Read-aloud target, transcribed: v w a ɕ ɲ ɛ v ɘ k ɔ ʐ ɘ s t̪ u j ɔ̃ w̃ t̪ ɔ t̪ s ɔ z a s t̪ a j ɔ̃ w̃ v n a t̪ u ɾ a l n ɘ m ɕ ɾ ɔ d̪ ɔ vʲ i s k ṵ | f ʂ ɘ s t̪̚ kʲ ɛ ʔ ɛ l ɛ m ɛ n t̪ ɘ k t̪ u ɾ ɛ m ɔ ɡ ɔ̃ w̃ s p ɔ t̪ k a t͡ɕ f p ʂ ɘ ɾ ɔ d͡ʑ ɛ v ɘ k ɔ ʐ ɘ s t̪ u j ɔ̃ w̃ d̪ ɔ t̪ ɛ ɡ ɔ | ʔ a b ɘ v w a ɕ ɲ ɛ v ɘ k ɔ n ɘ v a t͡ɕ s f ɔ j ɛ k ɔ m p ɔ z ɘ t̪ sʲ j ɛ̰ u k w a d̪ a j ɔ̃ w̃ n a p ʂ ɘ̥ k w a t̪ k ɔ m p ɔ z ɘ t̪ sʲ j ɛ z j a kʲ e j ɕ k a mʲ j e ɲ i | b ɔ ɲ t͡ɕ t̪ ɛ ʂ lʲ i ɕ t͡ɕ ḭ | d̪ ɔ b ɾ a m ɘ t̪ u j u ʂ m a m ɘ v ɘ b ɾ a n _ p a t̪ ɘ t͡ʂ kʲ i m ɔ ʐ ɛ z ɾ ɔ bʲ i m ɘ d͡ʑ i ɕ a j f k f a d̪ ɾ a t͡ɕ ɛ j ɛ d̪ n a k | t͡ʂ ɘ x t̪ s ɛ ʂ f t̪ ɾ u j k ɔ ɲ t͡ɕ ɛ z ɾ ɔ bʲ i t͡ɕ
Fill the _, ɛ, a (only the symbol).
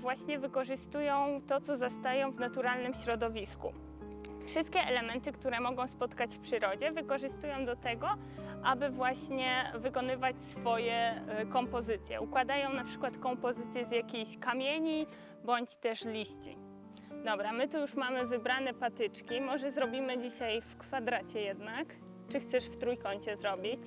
ɛ